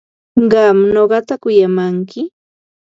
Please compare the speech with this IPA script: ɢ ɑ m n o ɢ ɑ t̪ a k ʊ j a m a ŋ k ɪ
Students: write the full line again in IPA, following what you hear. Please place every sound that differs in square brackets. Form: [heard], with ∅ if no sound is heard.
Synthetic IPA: ɢ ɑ m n o ɢ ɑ t̪ a k ʊ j a m a ŋ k ɪ